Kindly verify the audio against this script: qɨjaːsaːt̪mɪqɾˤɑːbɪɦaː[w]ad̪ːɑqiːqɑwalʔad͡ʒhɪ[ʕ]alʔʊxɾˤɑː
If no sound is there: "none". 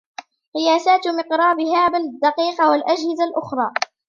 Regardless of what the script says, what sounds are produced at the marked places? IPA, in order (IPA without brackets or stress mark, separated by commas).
b, z